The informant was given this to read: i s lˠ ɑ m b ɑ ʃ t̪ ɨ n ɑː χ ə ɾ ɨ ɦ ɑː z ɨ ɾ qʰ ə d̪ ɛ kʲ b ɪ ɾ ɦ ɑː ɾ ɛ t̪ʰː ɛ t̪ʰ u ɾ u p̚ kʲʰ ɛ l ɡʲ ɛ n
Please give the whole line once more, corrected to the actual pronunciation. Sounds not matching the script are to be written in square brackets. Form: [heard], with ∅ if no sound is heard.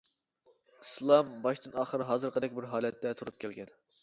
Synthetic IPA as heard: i s lˠ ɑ m b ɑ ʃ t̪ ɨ n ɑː χ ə ɾ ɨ ɦ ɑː z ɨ ɾ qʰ ə d̪ ɛ kʲ b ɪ ɾ ɦ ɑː [l] ɛ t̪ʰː ɛ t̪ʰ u ɾ u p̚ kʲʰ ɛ l ɡʲ ɛ n